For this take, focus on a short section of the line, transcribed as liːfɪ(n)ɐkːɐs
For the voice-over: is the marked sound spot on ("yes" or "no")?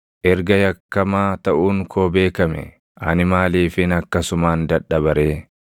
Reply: yes